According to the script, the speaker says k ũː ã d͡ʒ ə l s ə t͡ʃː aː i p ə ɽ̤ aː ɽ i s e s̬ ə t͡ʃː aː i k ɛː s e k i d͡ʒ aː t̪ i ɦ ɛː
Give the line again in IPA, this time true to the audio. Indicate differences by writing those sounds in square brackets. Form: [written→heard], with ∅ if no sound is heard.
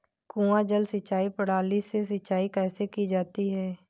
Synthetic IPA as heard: k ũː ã d͡ʒ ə l s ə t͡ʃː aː i p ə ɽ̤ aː [ɽ→l] i s e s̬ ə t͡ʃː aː i k ɛː s e k i d͡ʒ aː t̪ i ɦ ɛː